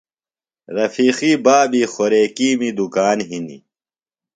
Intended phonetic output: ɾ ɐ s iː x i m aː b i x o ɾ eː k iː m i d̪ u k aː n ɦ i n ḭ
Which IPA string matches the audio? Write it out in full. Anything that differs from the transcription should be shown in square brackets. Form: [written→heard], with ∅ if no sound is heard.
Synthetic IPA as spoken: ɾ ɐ [s→f] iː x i [m→b] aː b i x o ɾ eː k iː m i d̪ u k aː n ɦ i n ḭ